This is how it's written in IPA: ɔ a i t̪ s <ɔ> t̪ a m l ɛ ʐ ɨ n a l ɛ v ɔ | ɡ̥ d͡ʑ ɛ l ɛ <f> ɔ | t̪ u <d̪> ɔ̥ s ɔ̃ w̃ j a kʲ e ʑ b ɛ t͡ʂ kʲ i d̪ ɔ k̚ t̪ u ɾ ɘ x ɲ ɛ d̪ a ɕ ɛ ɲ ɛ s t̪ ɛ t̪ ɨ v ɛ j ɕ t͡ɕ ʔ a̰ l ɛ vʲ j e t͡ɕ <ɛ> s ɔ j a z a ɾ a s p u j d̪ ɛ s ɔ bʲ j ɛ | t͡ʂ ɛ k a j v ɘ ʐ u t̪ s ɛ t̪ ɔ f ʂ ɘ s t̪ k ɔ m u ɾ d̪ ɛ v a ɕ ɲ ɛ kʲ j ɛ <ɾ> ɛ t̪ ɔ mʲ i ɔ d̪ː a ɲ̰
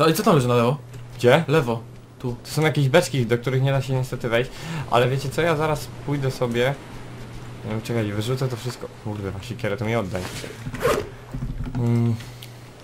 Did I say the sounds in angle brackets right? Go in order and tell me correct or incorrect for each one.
correct, incorrect: v, incorrect: t̪, correct, correct

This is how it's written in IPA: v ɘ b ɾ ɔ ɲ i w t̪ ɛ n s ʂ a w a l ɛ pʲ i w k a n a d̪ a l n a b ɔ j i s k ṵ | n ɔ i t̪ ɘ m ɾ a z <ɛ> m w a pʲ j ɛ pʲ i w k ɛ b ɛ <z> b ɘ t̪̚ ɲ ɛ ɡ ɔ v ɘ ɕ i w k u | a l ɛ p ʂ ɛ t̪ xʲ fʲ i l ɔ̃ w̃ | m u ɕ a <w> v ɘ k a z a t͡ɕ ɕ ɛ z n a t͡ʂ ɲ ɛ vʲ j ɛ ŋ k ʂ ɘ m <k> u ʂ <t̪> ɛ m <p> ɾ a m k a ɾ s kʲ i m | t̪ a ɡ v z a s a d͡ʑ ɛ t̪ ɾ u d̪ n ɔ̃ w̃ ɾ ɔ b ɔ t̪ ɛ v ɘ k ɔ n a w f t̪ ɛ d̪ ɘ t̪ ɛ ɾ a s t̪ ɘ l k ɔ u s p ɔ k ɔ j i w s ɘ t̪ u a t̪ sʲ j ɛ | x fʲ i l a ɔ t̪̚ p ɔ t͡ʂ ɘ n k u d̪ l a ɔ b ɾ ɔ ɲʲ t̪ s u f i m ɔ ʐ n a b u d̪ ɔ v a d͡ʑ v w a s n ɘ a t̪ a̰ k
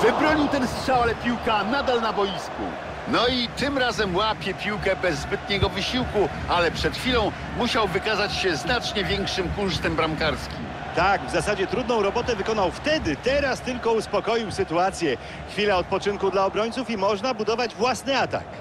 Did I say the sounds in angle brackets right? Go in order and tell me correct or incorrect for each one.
correct, incorrect: zː, correct, correct, correct, incorrect: b

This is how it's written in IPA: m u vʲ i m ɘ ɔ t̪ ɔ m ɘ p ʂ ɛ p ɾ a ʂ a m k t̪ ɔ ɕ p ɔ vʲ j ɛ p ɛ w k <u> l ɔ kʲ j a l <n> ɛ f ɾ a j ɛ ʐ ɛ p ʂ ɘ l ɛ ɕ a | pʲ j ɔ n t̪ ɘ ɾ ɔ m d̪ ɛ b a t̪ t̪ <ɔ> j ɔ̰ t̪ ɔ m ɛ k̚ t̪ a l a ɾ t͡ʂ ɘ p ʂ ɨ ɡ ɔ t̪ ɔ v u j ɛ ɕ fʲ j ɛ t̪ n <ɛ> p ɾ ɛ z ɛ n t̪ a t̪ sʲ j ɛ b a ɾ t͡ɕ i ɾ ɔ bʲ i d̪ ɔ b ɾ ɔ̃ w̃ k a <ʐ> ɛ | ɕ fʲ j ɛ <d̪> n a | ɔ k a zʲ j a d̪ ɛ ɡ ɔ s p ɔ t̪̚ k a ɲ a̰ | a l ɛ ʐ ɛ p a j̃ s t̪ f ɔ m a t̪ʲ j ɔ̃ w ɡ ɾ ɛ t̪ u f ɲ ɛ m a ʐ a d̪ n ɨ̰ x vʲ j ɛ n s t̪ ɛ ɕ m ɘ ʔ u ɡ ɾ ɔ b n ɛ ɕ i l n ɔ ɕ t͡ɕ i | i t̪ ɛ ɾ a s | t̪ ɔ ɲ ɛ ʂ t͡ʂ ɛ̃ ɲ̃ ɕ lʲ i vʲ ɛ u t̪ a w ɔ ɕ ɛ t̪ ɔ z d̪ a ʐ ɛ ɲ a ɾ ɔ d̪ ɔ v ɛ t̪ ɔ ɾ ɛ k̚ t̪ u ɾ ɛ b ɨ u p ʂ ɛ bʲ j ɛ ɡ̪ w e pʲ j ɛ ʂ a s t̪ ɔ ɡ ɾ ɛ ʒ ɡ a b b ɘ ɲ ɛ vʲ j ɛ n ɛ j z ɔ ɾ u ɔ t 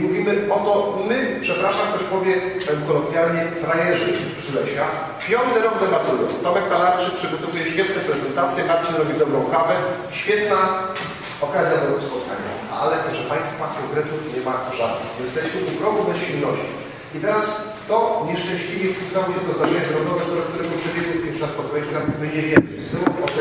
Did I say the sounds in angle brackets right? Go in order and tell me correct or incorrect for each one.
incorrect: ɔ, incorrect: ɲ, incorrect: u, correct, incorrect: v, incorrect: t̪

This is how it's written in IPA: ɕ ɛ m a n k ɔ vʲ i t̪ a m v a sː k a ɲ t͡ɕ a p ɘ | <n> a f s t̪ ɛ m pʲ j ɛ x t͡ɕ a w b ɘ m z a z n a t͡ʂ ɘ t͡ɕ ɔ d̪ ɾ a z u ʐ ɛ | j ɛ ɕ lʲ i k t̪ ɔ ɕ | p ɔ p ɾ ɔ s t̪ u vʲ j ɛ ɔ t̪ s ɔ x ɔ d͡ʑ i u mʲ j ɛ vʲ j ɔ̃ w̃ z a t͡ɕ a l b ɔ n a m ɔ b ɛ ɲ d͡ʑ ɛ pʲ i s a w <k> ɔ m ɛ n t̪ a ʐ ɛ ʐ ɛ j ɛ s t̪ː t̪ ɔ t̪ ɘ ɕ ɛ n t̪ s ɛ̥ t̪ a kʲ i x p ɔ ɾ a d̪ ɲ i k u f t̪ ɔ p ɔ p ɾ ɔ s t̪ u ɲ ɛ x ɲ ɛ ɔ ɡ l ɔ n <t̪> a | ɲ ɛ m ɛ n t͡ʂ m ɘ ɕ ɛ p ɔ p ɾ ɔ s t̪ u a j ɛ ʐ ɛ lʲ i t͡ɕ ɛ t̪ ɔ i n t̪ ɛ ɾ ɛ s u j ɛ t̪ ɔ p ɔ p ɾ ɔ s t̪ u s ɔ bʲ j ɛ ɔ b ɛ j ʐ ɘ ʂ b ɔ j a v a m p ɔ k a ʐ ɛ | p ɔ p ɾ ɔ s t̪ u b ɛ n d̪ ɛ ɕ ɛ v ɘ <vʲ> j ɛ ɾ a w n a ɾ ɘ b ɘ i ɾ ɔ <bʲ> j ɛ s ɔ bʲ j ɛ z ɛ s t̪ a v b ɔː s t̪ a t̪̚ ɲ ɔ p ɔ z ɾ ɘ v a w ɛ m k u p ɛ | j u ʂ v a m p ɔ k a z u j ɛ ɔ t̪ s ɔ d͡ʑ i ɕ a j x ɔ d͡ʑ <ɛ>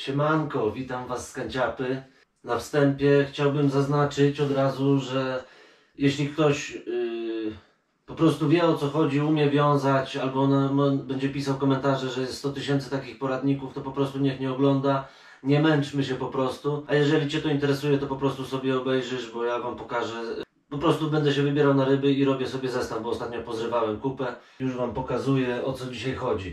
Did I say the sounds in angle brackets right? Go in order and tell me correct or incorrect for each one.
correct, correct, incorrect: d̪, incorrect: bʲ, correct, incorrect: i

